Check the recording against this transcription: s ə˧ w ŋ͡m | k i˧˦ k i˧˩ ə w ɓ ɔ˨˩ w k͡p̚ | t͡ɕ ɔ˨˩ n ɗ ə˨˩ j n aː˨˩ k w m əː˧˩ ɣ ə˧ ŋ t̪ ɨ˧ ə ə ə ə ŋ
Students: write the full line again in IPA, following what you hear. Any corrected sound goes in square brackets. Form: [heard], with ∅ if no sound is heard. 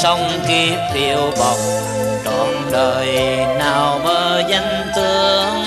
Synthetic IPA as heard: s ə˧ w ŋ͡m | k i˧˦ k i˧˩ ə w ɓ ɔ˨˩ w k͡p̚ | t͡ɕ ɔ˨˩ n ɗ [əː˨˩] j n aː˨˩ [∅] w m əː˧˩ [z] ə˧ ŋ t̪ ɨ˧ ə ə ə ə ŋ